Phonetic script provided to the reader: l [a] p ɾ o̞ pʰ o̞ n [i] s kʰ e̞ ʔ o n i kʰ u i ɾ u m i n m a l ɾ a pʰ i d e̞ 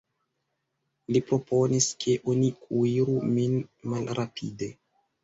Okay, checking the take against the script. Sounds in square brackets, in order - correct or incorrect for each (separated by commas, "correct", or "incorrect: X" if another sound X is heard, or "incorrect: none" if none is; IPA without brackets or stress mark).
incorrect: i, correct